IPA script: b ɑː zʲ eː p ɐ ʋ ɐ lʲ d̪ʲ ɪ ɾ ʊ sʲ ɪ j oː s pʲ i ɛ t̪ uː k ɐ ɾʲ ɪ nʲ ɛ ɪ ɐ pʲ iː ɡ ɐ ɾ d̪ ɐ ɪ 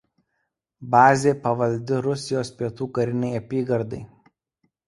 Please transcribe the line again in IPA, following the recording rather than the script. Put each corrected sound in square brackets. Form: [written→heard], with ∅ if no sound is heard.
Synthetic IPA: b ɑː zʲ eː p ɐ ʋ ɐ lʲ d̪ʲ ɪ ɾ ʊ sʲ ɪ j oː s pʲ i ɛ t̪ uː k ɐ ɾʲ ɪ nʲ ɛ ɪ ɐ pʲ iː ɡ ɐ ɾ d̪ ɐ ɪ

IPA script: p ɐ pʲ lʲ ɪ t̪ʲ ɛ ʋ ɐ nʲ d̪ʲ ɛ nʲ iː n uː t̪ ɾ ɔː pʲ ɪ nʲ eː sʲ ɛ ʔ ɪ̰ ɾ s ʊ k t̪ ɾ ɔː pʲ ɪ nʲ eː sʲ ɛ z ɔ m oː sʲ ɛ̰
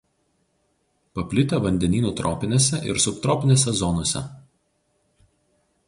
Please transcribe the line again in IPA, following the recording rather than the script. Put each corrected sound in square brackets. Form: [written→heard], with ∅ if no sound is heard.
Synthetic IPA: p ɐ pʲ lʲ ɪ t̪ʲ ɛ ʋ ɐ nʲ d̪ʲ ɛ nʲ iː n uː t̪ ɾ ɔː pʲ ɪ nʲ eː sʲ ɛ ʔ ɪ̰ ɾ s ʊ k t̪ ɾ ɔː pʲ ɪ nʲ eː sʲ ɛ z ɔ [m→n] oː sʲ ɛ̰

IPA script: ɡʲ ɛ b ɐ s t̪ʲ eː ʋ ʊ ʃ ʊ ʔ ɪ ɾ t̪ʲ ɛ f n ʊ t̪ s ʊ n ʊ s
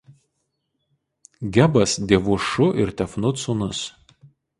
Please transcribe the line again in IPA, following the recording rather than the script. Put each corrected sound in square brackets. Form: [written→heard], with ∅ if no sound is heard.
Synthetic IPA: ɡʲ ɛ b ɐ s [t̪ʲ→d̪ʲ] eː ʋ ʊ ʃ ʊ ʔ ɪ ɾ t̪ʲ ɛ f n ʊ t̪ s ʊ n ʊ s

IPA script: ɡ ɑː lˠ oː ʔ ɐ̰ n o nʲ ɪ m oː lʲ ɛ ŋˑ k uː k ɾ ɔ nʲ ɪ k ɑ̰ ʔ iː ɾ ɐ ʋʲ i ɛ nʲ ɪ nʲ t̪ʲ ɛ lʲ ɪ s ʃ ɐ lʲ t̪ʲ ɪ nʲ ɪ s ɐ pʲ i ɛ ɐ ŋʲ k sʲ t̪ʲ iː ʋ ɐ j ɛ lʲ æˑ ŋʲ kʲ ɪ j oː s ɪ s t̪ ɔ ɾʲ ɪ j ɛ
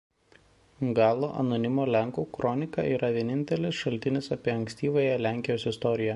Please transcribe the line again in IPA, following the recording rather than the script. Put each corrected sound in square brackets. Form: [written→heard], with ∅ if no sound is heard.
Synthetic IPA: ɡ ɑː lˠ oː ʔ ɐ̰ n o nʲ ɪ m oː lʲ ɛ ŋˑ k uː k ɾ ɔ nʲ ɪ k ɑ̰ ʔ iː ɾ ɐ ʋʲ i ɛ nʲ ɪ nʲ t̪ʲ ɛ lʲ ɪ s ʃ ɐ lʲ t̪ʲ ɪ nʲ ɪ s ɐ pʲ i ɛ ɐ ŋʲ k sʲ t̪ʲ iː ʋ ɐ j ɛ lʲ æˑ ŋʲ kʲ ɪ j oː s ɪ s t̪ ɔ ɾʲ ɪ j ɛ

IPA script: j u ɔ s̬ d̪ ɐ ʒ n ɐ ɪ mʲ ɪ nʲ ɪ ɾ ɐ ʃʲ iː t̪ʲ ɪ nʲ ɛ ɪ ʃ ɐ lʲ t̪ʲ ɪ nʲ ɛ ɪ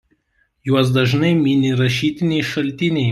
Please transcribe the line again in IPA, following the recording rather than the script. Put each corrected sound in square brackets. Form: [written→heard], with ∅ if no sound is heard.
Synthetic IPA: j u ɔ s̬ d̪ ɐ ʒ n ɐ ɪ mʲ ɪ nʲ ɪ ɾ ɐ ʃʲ iː t̪ʲ ɪ nʲ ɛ ɪ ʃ ɐ lʲ t̪ʲ ɪ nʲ ɛ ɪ

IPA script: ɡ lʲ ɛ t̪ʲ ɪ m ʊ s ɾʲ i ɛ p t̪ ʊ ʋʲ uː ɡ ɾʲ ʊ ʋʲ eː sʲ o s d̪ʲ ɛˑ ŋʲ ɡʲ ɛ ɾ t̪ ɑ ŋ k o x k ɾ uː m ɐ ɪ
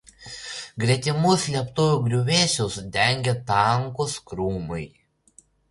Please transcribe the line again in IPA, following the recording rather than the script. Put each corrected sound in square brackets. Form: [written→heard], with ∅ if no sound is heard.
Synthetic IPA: ɡ [lʲ→ɾʲ] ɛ t̪ʲ ɪ m ʊ s [ɾʲ→lʲ] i ɛ p t̪ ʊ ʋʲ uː ɡ ɾʲ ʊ ʋʲ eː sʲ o s d̪ʲ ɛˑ ŋʲ ɡʲ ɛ [ɾ→∅] t̪ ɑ ŋ k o [x→s] k ɾ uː m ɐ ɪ

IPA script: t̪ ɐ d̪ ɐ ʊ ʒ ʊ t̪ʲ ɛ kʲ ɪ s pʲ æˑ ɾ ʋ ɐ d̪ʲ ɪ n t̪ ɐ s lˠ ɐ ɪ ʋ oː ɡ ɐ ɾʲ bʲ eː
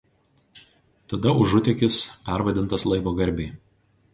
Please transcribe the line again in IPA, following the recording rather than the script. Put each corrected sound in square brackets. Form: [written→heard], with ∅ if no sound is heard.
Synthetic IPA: t̪ ɐ d̪ ɐ ʊ ʒ ʊ t̪ʲ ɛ kʲ ɪ s pʲ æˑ ɾ ʋ ɐ d̪ʲ ɪ n t̪ ɐ s lˠ ɐ ɪ ʋ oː ɡ ɐ ɾʲ bʲ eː

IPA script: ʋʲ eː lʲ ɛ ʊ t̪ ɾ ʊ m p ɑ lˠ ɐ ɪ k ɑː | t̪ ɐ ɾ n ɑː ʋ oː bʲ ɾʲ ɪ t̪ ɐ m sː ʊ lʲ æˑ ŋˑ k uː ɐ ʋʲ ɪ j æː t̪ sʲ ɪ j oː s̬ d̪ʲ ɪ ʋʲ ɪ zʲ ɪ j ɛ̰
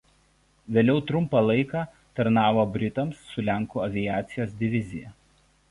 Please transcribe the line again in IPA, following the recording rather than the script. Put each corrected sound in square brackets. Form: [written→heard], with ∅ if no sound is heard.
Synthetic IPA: ʋʲ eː lʲ ɛ ʊ t̪ ɾ ʊ m p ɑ lˠ ɐ ɪ k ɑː | t̪ ɐ ɾ n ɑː ʋ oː bʲ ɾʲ ɪ t̪ ɐ m sː ʊ lʲ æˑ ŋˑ k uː ɐ ʋʲ ɪ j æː t̪ sʲ ɪ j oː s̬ d̪ʲ ɪ ʋʲ ɪ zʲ ɪ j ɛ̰

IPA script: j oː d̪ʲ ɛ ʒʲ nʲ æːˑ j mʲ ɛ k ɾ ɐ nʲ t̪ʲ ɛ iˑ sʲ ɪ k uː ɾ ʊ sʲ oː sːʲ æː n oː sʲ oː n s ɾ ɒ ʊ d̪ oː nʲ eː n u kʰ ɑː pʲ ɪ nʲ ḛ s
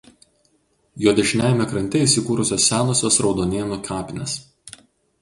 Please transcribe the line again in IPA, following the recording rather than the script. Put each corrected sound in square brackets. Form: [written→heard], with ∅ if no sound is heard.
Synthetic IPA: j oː d̪ʲ ɛ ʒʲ nʲ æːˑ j mʲ ɛ k ɾ ɐ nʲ t̪ʲ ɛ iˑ sʲ ɪ k uː ɾ ʊ sʲ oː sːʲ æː n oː sʲ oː [n→∅] s ɾ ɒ ʊ d̪ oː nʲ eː n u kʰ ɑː pʲ ɪ nʲ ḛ s

